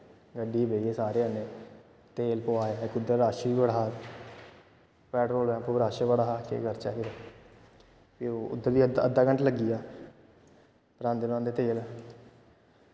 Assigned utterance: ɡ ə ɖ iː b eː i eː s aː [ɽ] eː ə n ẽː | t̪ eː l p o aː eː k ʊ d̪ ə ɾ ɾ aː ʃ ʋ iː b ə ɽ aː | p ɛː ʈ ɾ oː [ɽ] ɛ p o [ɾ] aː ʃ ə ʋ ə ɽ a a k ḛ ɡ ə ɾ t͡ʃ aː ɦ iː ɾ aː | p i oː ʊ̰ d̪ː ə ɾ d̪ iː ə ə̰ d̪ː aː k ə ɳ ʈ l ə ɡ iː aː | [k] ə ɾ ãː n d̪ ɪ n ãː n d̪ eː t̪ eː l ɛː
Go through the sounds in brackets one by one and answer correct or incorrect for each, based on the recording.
incorrect, incorrect, correct, incorrect

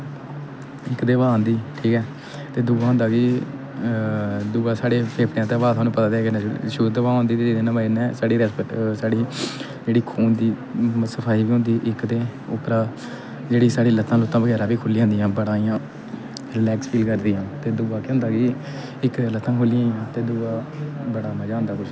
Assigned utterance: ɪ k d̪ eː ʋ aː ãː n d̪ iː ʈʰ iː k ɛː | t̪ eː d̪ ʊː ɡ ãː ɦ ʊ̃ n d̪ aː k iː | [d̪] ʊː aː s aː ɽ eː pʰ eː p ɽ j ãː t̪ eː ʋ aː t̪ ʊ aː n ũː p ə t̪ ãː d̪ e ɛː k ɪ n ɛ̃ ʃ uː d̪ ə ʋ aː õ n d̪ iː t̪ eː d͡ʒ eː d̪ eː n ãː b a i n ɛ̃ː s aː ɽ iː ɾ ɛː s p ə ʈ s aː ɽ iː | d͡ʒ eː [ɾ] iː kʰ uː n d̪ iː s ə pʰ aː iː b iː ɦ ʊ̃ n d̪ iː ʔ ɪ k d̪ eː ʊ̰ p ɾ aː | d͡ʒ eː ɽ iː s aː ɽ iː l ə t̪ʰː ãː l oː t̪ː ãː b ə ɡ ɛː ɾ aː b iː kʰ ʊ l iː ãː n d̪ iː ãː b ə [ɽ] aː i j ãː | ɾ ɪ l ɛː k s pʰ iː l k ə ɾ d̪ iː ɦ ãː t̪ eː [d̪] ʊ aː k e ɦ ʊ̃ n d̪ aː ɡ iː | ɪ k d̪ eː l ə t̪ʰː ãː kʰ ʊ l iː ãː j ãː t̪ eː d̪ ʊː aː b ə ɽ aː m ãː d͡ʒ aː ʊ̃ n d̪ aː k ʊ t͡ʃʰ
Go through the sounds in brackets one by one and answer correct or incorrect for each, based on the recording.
correct, incorrect, correct, correct

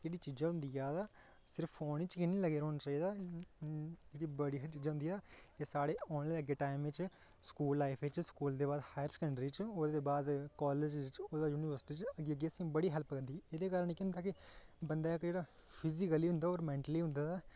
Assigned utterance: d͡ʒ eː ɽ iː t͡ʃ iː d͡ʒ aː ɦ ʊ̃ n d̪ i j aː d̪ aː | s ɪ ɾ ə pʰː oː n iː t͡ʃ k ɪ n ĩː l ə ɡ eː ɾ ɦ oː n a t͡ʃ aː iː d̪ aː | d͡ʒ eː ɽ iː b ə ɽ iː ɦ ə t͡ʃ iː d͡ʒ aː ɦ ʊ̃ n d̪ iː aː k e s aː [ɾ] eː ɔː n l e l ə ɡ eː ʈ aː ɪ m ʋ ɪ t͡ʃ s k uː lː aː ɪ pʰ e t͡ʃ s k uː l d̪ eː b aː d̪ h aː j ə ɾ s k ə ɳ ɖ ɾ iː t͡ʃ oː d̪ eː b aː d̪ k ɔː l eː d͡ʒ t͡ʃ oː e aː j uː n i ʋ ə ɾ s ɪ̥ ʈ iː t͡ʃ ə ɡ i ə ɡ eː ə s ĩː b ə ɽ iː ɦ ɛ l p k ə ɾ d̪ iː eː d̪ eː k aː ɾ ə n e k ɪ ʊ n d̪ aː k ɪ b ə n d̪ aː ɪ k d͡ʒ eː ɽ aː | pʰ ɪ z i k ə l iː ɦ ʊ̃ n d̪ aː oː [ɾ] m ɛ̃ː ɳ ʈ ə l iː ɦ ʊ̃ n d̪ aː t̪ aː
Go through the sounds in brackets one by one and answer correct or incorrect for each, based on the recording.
incorrect, correct

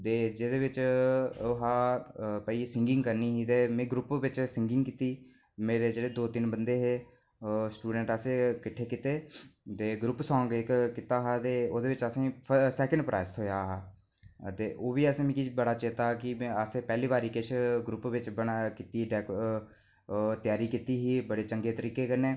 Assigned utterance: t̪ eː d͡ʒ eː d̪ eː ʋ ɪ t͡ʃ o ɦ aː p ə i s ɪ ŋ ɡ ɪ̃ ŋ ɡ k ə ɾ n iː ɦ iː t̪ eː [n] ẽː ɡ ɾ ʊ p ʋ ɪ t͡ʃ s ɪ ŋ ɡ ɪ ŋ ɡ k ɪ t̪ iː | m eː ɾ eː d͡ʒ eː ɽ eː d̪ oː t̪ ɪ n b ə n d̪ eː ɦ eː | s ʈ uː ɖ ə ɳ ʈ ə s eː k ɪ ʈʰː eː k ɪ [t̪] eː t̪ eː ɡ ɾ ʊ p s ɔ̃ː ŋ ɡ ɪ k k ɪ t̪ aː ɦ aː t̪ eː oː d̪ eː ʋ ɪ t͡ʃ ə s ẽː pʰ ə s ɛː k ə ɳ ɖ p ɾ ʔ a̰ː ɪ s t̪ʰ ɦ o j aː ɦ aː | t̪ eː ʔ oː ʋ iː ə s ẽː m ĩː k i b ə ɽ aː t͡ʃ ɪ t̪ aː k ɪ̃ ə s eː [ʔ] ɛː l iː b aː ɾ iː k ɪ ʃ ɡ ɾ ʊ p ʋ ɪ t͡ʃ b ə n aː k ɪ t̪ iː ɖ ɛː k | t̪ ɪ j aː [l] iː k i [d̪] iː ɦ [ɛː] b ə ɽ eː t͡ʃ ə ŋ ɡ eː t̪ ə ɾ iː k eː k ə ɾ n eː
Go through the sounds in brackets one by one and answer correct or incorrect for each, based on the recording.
incorrect, correct, incorrect, incorrect, incorrect, incorrect

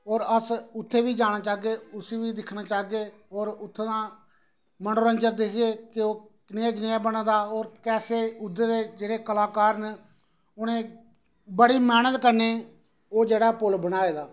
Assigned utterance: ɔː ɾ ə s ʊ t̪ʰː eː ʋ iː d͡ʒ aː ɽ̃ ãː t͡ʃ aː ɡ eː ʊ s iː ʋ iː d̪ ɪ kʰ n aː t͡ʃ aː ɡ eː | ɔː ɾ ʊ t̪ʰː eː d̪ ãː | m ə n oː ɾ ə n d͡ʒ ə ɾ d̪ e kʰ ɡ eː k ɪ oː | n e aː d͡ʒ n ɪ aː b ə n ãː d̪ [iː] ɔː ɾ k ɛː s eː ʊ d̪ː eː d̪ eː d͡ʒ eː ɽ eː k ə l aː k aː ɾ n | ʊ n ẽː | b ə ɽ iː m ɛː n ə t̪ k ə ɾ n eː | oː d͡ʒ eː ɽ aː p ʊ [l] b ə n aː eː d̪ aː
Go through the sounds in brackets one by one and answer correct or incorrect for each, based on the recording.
incorrect, correct

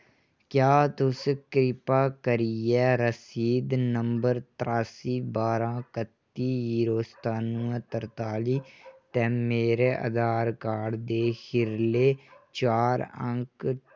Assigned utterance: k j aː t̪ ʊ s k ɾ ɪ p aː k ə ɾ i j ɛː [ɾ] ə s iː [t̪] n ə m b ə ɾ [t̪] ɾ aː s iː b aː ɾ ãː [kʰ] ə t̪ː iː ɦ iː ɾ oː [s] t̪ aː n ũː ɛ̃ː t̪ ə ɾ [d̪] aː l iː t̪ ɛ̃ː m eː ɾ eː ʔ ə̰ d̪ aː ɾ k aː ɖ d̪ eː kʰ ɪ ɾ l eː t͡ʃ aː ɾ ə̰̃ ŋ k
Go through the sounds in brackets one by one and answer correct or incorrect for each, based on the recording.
correct, incorrect, correct, incorrect, correct, incorrect

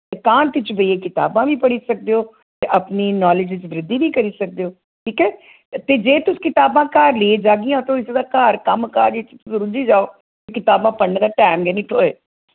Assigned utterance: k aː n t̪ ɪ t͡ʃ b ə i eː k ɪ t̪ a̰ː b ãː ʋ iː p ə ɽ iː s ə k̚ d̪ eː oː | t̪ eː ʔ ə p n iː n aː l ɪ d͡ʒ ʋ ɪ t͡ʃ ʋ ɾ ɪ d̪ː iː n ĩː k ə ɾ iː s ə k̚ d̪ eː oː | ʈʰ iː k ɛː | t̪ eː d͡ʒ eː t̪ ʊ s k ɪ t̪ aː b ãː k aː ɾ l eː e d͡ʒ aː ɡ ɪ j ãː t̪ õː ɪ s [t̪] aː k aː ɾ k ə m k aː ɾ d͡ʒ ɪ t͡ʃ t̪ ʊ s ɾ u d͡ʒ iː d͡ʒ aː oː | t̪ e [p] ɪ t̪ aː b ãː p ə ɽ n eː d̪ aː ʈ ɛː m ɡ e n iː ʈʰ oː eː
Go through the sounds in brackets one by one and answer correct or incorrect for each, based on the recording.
incorrect, incorrect

